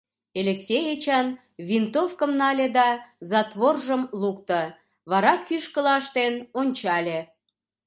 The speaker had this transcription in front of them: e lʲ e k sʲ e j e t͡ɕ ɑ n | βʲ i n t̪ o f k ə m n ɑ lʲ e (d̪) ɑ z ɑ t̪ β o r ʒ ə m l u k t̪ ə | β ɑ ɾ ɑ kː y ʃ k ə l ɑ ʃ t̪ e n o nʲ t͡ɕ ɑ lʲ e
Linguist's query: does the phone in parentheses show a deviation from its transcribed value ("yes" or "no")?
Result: no